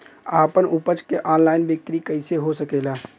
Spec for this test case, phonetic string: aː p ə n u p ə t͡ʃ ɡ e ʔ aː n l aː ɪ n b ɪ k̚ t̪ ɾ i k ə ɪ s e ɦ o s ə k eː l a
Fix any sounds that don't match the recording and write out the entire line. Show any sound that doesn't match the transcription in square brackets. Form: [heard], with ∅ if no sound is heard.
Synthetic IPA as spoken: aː p ə n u p ə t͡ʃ [k] e ʔ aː n l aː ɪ n b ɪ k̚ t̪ ɾ i k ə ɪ s e ɦ o s ə k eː l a

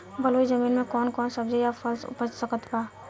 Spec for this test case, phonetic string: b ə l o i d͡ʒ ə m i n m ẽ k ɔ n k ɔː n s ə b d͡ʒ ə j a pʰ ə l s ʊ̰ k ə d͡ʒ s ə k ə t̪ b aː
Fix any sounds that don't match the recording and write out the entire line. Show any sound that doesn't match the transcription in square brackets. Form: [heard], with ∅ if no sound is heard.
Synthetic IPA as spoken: b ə l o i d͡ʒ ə m i n m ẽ k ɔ n k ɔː n s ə b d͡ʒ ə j a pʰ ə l s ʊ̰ [p] ə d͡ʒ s ə k ə t̪ b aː

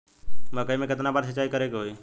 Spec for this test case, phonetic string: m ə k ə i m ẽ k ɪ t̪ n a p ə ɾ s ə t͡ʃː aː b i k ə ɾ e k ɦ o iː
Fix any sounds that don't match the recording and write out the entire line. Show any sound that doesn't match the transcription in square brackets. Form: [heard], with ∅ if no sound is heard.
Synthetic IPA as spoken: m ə k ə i m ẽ k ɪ t̪ n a [b] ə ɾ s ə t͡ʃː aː [∅] i k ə ɾ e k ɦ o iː

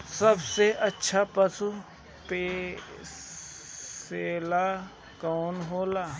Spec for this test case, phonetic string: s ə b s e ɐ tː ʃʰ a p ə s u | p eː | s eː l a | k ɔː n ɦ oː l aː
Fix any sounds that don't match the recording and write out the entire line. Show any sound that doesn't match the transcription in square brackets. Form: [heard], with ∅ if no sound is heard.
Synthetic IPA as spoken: s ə b s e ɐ tː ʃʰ a p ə s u | p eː | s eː l a | k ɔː n ɦ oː l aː

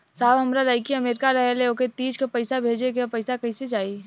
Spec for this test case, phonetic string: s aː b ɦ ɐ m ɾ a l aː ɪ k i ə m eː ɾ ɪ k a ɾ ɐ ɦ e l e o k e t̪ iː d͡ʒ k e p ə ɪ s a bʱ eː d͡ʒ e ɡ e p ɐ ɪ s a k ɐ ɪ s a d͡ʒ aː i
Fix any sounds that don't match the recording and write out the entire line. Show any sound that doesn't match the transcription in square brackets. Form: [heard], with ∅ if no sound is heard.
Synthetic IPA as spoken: s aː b ɦ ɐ m ɾ a l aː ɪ k i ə m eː ɾ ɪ k a ɾ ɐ ɦ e l e o k e t̪ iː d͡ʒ k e p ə ɪ s a bʱ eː d͡ʒ e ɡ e p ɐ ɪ s a k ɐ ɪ s [e] d͡ʒ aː i

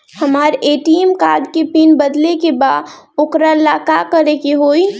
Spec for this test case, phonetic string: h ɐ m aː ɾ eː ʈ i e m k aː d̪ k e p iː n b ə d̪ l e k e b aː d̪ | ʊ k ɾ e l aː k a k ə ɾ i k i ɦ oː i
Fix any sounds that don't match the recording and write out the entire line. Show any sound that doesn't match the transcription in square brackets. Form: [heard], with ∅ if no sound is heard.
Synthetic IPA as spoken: h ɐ m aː ɾ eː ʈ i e m k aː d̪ k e p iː n b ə d̪ l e k e b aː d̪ | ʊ k ɾ [a] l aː k a k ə ɾ [e] k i ɦ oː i

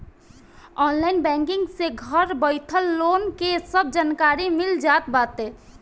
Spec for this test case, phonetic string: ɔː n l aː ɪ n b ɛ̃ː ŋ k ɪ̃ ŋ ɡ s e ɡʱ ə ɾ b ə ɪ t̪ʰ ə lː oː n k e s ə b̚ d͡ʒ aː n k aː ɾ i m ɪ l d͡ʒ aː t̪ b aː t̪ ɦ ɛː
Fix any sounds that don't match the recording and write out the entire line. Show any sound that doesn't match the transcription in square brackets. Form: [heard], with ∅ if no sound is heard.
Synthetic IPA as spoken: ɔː n l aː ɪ n b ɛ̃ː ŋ k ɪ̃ ŋ ɡ s e ɡʱ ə ɾ b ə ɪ t̪ʰ ə lː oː n k e s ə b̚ d͡ʒ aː n k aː ɾ i m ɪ l d͡ʒ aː t̪ b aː t̪ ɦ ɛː

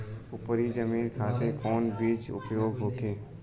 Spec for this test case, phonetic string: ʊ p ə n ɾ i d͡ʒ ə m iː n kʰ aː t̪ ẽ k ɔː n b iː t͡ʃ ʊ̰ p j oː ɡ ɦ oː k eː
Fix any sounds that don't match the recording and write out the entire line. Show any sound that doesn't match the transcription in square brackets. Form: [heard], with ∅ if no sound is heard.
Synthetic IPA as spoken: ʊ p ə [∅] ɾ i d͡ʒ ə m iː n kʰ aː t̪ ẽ k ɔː n b iː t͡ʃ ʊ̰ p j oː ɡ ɦ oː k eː

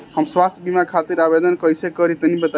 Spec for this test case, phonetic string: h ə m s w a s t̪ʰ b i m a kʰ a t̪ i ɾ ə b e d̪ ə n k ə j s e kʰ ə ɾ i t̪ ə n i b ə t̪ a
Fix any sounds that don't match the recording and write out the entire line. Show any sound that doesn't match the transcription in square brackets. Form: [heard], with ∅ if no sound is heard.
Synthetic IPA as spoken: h ə m s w a s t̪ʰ b i m a kʰ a t̪ i ɾ [a] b e d̪ ə n k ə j s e [k] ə ɾ i t̪ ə n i b ə t̪ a

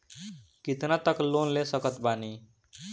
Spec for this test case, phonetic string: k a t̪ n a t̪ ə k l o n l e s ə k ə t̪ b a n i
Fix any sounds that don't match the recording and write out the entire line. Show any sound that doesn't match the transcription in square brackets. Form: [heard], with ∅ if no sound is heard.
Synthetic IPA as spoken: k [i] t̪ n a t̪ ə k l o n l e s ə k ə t̪ b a n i

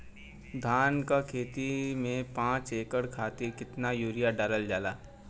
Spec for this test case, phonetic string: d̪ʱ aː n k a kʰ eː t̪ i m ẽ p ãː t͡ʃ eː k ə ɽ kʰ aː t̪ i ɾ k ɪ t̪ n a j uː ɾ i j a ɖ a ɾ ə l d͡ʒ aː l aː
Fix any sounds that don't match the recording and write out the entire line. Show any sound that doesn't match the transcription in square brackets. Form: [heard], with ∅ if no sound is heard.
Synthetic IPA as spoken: d̪ʱ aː n k a kʰ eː t̪ i m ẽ p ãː t͡ʃ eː k ə ɽ kʰ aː t̪ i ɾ k ɪ t̪ n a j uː ɾ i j a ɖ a ɾ ə l d͡ʒ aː l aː

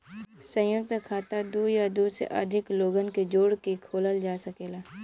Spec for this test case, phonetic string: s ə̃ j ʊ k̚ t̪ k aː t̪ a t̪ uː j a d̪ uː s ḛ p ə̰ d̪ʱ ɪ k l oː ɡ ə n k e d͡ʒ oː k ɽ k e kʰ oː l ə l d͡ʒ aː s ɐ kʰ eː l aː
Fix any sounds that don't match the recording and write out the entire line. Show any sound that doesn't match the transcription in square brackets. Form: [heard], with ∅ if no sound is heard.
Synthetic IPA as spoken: s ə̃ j ʊ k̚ t̪ [kʰ] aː t̪ a [d̪] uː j a d̪ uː s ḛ [ʔ] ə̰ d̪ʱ ɪ k l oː ɡ ə n k e d͡ʒ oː [∅] ɽ k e kʰ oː l ə l d͡ʒ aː s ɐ [k] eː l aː

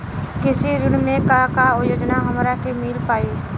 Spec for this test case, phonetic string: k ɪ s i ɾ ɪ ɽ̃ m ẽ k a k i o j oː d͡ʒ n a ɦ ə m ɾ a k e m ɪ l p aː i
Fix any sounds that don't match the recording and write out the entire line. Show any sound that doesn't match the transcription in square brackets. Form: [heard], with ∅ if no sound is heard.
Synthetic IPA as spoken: k ɪ s i ɾ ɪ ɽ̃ m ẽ k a k [a] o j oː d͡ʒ n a ɦ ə m ɾ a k e m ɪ l p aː i

